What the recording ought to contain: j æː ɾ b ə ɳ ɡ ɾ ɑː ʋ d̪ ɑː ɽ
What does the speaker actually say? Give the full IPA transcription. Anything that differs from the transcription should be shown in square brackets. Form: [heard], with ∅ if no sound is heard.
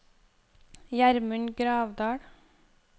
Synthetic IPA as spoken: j [æ] ɾ [m] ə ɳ ɡ ɾ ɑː ʋ d̪ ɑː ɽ